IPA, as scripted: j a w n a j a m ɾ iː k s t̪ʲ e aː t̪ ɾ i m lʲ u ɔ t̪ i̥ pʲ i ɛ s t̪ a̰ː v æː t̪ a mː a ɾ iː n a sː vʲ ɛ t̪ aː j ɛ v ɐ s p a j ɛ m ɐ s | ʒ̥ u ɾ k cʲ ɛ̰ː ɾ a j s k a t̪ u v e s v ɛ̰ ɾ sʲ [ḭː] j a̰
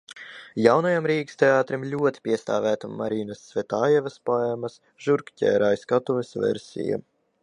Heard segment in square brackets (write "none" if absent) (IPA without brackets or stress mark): ḭ